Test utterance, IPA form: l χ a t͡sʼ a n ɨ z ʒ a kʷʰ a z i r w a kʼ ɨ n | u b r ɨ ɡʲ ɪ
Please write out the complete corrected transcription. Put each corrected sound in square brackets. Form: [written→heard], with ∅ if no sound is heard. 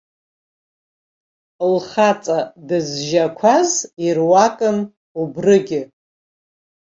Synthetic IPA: l χ a t͡sʼ a [n→d] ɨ z ʒ a kʷʰ a z i r w a kʼ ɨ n | u b r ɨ ɡʲ ɪ